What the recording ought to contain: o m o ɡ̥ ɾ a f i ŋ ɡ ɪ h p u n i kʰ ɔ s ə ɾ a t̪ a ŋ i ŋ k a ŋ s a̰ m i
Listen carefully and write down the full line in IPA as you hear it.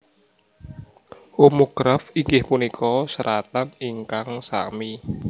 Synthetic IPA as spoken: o m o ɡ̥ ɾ a f i ŋ ɡ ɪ h p u n i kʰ ɔ s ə ɾ a t̪ a n i ŋ k a ŋ s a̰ m i